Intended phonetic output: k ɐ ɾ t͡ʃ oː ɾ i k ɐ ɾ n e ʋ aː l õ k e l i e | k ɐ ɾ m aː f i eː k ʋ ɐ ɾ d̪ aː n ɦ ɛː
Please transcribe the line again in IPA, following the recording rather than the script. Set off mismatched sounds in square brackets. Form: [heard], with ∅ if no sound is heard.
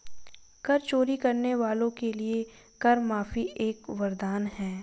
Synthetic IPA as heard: k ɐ ɾ t͡ʃ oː ɾ i k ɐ ɾ n e ʋ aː l õ k e l i e | k ɐ ɾ m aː f i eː k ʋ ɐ ɾ d̪ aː n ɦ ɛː

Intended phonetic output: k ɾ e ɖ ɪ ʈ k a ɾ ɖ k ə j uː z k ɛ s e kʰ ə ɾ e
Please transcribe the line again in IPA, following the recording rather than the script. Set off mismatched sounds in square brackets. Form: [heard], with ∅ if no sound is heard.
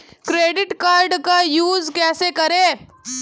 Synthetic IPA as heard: k ɾ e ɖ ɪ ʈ k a ɾ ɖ k [a] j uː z k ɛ s e [k] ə ɾ e

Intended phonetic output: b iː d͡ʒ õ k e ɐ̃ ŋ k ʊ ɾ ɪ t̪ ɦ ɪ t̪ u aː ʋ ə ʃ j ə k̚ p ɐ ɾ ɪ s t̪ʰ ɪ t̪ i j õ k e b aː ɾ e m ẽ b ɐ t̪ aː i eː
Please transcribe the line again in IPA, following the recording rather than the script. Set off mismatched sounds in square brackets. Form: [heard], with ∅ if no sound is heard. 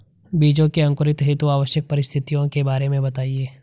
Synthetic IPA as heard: b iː d͡ʒ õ k e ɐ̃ ŋ k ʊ ɾ ɪ t̪ ɦ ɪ t̪ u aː ʋ ə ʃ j ə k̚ p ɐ ɾ ɪ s t̪ʰ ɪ t̪ i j õ k e b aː ɾ e m ẽ b ɐ t̪ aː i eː

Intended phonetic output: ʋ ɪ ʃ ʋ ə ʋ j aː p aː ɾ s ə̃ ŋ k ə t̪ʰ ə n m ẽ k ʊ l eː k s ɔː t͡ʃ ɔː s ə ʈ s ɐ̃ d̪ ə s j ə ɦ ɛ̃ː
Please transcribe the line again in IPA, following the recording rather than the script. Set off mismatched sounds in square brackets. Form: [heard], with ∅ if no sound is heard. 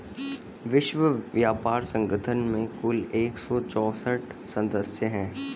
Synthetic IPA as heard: ʋ ɪ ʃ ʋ ə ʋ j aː p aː ɾ s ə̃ ŋ [ɡ] ə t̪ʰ ə n m ẽ k ʊ l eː k s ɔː t͡ʃ ɔː s ə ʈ s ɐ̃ d̪ ə s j ə ɦ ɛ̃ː

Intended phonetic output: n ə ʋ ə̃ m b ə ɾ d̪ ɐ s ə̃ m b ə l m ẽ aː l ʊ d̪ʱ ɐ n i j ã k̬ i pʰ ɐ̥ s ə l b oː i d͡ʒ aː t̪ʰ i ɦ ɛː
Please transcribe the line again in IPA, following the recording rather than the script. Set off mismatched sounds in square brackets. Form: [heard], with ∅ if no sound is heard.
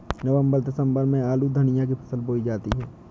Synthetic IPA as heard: n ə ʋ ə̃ m b ə ɾ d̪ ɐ s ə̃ m b ə [ɾ] m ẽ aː l [u] d̪ʱ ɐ n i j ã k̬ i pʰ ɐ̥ s ə l b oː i d͡ʒ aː [t̪] i ɦ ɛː

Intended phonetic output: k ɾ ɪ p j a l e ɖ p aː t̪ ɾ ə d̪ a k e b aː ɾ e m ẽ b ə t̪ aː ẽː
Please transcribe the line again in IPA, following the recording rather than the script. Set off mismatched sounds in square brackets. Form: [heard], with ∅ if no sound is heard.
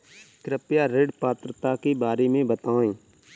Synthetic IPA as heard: k ɾ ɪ p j a [ɾ] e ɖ p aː t̪ ɾ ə [t̪] a k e b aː ɾ e m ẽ b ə t̪ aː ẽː

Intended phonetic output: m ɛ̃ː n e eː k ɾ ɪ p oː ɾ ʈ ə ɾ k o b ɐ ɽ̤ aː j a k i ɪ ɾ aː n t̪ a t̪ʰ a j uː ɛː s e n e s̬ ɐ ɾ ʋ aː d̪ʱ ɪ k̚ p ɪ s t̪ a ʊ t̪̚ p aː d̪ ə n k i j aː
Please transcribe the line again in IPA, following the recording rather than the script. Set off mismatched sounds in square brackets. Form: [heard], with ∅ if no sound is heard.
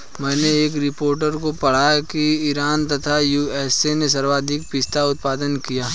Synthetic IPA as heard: m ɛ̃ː n e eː k ɾ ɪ p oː ɾ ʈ ə ɾ k o [p] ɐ ɽ̤ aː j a k i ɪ ɾ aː n t̪ [ɐ] t̪ʰ a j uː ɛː s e n e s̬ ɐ ɾ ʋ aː d̪ʱ ɪ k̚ p ɪ s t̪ a ʊ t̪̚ p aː d̪ ə n k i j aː

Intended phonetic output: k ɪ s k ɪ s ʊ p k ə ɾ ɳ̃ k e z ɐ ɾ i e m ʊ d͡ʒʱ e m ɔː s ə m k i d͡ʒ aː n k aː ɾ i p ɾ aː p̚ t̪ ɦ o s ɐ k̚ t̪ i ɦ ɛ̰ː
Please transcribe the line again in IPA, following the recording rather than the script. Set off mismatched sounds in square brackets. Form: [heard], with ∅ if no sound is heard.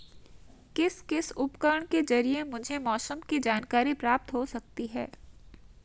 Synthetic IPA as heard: k ɪ s k ɪ s ʊ p k ə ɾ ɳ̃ k e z ɐ ɾ i e m ʊ d͡ʒʱ e m ɔː s ə m k i d͡ʒ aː n k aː ɾ i p ɾ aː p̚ t̪ ɦ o s ɐ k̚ t̪ i ɦ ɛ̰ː

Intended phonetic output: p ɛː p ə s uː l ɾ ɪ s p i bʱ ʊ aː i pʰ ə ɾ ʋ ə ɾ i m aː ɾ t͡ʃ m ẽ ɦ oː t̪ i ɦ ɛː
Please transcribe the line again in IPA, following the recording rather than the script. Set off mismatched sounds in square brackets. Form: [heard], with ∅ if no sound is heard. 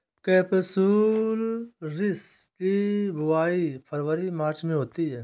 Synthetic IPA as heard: [k] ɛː p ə s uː l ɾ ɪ s [k] i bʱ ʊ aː i pʰ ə ɾ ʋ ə ɾ i m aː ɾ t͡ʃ m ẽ ɦ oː t̪ i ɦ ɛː

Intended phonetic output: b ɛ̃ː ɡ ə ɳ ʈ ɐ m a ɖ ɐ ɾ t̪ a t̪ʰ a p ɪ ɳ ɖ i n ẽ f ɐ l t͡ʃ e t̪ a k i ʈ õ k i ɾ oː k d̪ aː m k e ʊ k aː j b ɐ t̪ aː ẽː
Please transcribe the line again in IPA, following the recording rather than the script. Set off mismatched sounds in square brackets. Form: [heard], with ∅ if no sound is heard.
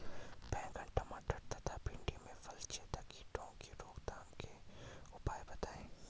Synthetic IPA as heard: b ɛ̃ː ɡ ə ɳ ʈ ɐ m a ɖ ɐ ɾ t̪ a t̪ʰ a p ɪ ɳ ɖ i [m] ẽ f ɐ l t͡ʃ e t̪ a k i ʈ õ k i ɾ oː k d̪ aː m k e ʊ [p] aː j b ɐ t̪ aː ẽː

